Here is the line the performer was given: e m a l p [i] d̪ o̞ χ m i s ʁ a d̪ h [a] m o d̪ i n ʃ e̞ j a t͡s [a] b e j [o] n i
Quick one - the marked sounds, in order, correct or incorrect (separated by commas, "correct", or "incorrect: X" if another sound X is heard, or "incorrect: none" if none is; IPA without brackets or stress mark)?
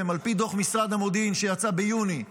correct, correct, correct, incorrect: u